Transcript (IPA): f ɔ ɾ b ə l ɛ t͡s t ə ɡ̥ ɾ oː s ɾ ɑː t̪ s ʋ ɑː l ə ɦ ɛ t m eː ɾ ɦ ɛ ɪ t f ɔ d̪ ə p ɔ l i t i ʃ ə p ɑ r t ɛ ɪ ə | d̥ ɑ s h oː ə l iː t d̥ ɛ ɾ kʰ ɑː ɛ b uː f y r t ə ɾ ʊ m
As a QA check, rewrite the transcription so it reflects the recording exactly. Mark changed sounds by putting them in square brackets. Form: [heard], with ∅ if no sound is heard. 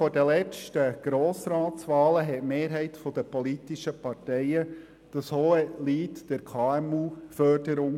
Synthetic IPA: f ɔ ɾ [d] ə l ɛ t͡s t ə ɡ̥ ɾ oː s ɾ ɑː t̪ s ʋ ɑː l ə ɦ ɛ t m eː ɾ ɦ ɛ ɪ t f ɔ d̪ ə p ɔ l i t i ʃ ə p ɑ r t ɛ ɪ ə | d̥ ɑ s h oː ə l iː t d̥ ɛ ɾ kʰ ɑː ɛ [m] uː f [œ] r [d] ə ɾ ʊ [ŋ]

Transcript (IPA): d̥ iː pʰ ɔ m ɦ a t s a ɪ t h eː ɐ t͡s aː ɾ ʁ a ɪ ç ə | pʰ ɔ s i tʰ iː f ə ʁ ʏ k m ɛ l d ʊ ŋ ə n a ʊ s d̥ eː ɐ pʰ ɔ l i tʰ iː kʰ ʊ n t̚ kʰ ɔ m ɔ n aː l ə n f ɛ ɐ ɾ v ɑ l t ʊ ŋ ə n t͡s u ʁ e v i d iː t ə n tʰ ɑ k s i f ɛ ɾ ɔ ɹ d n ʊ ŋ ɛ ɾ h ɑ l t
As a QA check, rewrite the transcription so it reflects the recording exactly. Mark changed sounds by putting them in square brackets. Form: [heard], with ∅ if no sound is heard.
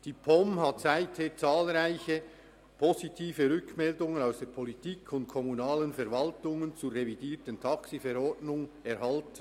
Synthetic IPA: d̥ iː pʰ ɔ m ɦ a t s a ɪ t h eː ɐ t͡s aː [l] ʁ a ɪ ç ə | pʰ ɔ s i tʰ iː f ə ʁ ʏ k m ɛ l d ʊ ŋ ə n a ʊ s d̥ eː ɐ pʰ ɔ l i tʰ iː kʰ ʊ n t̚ kʰ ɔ m [u] n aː l ə n f ɛ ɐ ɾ v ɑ l t ʊ ŋ ə n t͡s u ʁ e v i d iː t ə n tʰ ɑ k s i f ɛ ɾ ɔ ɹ d n ʊ ŋ ɛ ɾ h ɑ l t

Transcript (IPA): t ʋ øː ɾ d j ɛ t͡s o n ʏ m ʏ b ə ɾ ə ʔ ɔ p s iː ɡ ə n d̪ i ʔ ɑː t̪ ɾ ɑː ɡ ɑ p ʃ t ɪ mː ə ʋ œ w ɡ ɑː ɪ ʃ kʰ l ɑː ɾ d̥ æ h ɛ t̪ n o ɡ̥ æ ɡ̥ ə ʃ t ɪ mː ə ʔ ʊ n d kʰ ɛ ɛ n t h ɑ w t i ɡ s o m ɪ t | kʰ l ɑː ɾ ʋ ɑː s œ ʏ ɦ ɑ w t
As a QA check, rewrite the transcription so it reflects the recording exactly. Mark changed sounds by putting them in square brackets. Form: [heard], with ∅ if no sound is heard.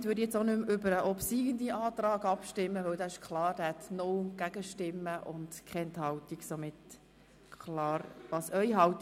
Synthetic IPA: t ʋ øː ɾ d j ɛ t͡s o n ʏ m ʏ b ə ɾ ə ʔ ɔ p s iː ɡ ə n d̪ i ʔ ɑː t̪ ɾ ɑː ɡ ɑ p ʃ t ɪ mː ə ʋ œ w [d] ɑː ɪ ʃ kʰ l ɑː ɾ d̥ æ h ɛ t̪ n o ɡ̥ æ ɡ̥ ə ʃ t ɪ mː ə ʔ ʊ n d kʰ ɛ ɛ n t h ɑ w t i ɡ s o m ɪ t | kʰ l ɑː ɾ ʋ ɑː s œ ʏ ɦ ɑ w t

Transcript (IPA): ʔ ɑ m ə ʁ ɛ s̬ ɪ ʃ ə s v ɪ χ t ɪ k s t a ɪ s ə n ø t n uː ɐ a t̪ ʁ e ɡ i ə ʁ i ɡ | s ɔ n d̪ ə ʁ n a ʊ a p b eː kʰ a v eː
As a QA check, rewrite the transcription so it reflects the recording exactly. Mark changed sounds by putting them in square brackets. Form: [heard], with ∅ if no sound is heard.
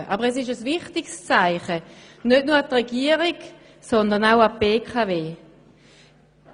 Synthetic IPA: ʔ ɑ [b] ə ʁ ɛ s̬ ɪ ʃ ə s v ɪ χ t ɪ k s [t͡s] a ɪ [χ] ə n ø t n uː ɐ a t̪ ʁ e ɡ i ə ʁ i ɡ | s ɔ n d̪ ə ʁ n a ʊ a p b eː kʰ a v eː

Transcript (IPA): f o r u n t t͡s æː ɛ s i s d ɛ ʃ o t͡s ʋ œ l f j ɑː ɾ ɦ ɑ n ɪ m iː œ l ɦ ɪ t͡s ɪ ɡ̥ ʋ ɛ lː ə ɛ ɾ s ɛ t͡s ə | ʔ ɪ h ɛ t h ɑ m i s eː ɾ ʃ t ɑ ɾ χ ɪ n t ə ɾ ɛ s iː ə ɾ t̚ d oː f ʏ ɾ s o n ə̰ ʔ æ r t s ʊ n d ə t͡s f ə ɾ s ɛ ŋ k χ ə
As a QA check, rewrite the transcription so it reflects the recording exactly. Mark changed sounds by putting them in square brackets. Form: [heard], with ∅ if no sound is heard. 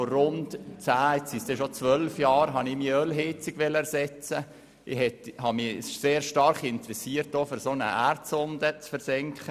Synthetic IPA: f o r [ʊ] n t t͡s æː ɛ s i s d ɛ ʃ o t͡s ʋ œ l f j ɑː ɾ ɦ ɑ n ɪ m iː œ l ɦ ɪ t͡s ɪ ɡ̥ ʋ ɛ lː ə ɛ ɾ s ɛ t͡s ə | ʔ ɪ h ɛ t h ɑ m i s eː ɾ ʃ t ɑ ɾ χ ɪ n t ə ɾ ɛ s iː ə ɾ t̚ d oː f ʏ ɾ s o n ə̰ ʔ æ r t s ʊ n d ə t͡s f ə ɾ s ɛ ŋ k χ ə

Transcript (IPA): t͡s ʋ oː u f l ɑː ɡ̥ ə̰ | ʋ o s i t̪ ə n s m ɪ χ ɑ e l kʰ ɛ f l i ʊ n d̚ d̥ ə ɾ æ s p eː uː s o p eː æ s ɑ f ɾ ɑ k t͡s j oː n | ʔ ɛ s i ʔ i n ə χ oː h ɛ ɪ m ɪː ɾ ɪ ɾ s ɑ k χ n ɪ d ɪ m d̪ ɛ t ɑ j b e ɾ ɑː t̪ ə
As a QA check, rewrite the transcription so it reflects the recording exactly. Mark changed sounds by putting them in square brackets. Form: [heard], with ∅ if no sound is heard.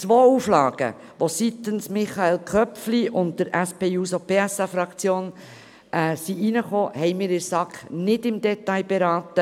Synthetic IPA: t͡s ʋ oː u f l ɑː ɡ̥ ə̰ | ʋ o s i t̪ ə n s m ɪ χ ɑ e l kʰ [œ] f l i ʊ n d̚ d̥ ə ɾ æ s p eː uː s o p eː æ s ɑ f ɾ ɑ k t͡s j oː n | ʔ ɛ s i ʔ i n ə χ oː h ɛ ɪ m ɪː ɾ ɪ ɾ s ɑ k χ n ɪ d ɪ m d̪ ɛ t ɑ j b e ɾ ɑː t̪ ə

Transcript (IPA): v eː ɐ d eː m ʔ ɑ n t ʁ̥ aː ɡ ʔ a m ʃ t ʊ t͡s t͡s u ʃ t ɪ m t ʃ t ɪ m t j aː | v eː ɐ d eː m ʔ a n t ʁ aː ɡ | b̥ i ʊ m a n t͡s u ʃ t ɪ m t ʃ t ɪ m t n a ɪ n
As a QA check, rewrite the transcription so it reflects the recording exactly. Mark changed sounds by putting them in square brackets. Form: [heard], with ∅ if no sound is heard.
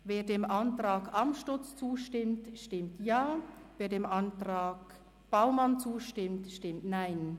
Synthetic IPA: v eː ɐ d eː m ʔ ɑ n t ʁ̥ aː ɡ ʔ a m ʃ t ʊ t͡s t͡s [uː] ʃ t ɪ m t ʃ t ɪ m t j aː | v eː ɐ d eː m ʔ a n t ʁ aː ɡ | b̥ [a] ʊ m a n t͡s [uː] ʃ t ɪ m t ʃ t ɪ m t n a ɪ n

